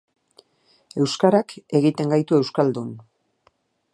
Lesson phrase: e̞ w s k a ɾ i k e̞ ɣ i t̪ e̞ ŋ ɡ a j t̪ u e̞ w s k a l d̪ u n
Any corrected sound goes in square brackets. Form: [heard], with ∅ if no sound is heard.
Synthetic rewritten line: e̞ w s k a ɾ [a] k e̞ ɣ i t̪ e̞ ŋ ɡ a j t̪ u e̞ w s k a l d̪ u n